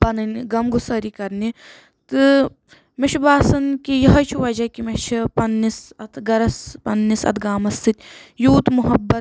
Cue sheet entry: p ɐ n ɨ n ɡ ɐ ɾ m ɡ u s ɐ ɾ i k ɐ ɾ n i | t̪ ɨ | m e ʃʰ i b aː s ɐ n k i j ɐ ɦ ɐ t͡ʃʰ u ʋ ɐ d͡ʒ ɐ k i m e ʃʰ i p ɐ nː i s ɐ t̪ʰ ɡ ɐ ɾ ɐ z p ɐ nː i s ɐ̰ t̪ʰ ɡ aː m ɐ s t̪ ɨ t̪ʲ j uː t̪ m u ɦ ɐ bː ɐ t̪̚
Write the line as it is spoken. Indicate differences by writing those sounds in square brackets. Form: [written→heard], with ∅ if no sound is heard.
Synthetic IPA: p ɐ n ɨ n ɡ ɐ [ɾ→∅] m ɡ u s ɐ ɾ i k ɐ ɾ n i | t̪ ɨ | m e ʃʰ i b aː s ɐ n k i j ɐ ɦ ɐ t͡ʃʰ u ʋ ɐ d͡ʒ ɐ k i m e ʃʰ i p ɐ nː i s ɐ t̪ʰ ɡ ɐ ɾ ɐ [z→s] p ɐ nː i s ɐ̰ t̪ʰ ɡ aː m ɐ s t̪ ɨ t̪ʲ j uː t̪ m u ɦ ɐ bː ɐ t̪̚